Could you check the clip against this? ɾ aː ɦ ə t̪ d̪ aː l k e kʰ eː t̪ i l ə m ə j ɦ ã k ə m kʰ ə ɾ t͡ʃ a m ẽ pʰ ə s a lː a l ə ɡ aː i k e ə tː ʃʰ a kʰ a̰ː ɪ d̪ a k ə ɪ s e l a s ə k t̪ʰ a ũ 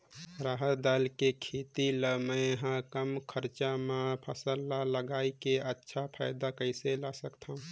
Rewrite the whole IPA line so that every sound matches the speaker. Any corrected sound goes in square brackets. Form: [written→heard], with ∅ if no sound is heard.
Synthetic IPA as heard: ɾ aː ɦ ə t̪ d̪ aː l k e kʰ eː t̪ i l ə m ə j ɦ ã k ə m kʰ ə ɾ t͡ʃ a m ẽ pʰ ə s [a→ə] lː a l ə ɡ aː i k e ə tː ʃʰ a [kʰ→pʰ] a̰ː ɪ d̪ a k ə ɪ s e l a s ə k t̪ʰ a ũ